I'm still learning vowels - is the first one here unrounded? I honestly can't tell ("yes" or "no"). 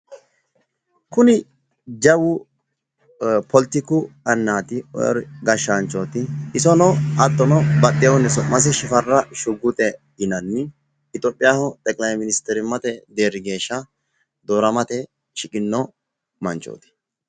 no